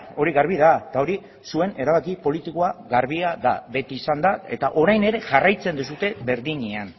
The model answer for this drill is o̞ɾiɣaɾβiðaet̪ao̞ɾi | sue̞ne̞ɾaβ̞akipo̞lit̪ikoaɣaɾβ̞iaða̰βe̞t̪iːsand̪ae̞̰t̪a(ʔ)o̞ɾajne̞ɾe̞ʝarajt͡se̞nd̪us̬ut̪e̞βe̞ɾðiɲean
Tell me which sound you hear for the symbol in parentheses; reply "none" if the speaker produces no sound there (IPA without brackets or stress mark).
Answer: ʔ